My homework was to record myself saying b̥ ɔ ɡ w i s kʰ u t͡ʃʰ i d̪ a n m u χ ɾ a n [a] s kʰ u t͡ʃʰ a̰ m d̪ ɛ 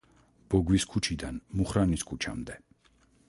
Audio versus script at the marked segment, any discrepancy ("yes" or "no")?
yes